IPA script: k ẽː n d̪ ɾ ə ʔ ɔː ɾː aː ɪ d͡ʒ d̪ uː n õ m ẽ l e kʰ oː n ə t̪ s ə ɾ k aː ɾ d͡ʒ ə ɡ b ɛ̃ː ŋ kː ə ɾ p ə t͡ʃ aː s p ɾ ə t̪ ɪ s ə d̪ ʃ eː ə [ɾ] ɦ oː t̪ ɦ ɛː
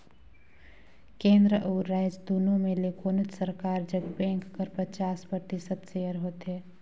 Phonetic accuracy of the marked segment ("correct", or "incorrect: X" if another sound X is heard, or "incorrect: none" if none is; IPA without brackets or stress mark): correct